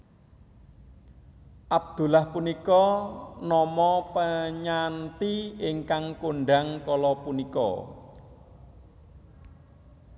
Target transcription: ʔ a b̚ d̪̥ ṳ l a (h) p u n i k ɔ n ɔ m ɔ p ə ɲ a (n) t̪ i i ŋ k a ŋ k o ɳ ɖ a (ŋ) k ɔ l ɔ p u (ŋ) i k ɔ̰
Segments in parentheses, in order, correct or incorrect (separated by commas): correct, correct, correct, incorrect